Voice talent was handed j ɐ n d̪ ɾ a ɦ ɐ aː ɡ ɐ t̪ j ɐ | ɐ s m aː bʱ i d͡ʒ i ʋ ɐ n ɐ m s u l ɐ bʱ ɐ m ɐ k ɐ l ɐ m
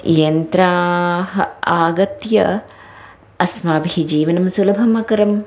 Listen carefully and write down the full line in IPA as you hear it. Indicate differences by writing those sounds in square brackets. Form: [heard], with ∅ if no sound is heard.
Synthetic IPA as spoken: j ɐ n [t̪] ɾ a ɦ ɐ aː ɡ ɐ t̪ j ɐ | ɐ s m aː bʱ i d͡ʒ [iː] ʋ ɐ n ɐ m s u l ɐ bʱ ɐ m ɐ k ɐ [ɾ] ɐ m

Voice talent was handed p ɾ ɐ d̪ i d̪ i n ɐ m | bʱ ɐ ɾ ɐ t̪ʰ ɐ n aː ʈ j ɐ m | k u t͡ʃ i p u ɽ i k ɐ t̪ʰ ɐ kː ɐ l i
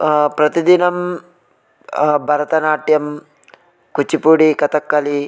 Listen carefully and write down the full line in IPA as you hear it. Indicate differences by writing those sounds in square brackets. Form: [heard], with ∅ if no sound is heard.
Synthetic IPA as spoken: p ɾ ɐ [t̪] i d̪ i n ɐ m | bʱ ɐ ɾ ɐ [t̪] ɐ n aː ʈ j ɐ m | k u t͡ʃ i p u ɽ i k ɐ [t̪] ɐ kː ɐ l i

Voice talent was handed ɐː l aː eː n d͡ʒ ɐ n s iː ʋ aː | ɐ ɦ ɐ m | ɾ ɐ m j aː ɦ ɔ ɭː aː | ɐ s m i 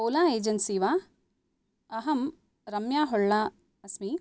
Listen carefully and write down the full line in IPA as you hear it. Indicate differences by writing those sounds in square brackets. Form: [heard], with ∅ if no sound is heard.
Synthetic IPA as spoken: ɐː l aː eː [∅] d͡ʒ ɐ n s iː ʋ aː | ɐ ɦ ɐ m | ɾ ɐ m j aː ɦ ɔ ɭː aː | ɐ s m i

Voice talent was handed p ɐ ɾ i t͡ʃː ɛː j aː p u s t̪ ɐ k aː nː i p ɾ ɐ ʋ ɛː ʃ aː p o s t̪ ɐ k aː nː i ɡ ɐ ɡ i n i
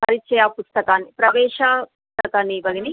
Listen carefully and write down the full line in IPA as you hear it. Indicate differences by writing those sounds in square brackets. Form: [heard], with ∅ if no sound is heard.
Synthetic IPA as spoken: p ɐ ɾ i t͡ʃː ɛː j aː p u s t̪ ɐ k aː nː i p ɾ ɐ ʋ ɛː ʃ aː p [u] s t̪ ɐ k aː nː i [b] ɐ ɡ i n i

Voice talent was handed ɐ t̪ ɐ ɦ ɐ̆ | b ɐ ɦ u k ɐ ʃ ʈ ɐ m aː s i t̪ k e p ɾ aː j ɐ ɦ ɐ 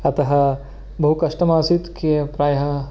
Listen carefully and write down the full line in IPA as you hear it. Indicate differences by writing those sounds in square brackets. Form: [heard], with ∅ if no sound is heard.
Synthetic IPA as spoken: ɐ t̪ ɐ ɦ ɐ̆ | b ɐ ɦ u k ɐ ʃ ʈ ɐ m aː s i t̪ k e p ɾ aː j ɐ ɦ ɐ

